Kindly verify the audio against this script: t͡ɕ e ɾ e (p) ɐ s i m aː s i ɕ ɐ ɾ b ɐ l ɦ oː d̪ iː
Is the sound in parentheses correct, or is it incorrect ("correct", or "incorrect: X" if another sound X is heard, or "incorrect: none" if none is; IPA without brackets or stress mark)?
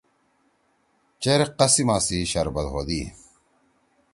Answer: incorrect: q